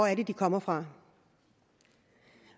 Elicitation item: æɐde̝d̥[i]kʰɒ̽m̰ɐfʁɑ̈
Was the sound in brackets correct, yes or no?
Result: yes